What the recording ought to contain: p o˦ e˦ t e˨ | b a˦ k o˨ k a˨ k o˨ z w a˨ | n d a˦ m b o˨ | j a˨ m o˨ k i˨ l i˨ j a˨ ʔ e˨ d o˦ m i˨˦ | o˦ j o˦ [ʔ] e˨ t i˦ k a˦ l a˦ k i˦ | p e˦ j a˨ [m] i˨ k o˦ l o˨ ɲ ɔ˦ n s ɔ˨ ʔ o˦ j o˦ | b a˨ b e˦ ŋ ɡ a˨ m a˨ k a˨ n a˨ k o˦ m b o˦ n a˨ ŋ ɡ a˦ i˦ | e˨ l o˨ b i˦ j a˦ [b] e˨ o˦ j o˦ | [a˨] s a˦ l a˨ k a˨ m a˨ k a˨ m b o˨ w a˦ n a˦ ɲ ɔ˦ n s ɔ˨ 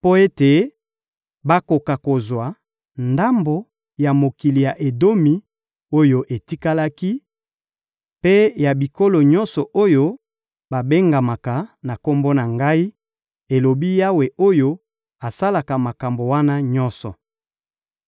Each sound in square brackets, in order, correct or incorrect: correct, incorrect, incorrect, correct

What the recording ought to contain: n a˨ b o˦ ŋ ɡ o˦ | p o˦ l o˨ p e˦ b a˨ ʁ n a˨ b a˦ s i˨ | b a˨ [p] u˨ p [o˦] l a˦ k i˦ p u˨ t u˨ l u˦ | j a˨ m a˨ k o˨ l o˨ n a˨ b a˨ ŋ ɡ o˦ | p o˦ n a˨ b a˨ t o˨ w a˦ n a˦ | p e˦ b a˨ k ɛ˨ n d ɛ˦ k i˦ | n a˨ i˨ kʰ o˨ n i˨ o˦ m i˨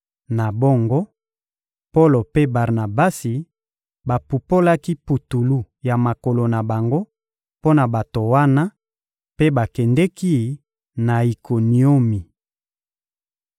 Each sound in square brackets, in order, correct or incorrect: correct, correct

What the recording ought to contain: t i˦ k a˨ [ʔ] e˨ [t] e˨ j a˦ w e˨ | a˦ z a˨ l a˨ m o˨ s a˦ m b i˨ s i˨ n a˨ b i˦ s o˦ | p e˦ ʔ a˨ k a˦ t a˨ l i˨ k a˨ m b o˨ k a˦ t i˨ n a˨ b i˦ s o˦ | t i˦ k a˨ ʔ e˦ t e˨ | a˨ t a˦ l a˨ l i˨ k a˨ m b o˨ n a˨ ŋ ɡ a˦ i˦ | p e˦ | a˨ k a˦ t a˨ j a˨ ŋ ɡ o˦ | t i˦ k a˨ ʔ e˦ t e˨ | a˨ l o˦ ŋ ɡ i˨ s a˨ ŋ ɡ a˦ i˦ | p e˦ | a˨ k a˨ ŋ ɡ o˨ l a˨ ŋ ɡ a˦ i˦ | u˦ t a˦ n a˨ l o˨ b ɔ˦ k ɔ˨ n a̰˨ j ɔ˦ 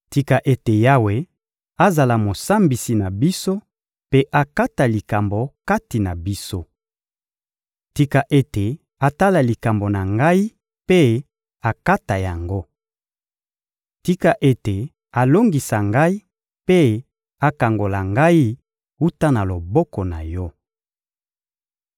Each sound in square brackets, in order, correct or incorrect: correct, correct

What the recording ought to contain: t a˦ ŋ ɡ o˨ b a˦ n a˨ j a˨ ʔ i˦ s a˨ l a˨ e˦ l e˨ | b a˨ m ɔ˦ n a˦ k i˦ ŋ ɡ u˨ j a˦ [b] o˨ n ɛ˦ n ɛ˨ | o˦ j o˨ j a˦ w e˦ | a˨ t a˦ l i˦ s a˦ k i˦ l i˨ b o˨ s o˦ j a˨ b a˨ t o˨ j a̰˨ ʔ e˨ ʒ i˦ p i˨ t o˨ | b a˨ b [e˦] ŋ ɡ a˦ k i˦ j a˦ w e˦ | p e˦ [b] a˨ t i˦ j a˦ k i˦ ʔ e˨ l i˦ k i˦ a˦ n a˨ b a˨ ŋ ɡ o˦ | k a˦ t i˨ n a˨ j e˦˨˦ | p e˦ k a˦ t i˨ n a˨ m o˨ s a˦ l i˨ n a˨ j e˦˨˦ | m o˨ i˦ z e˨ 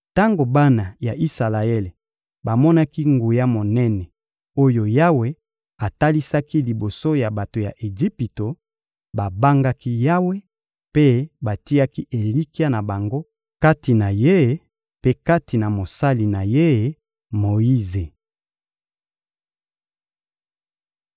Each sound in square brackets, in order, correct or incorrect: incorrect, incorrect, correct

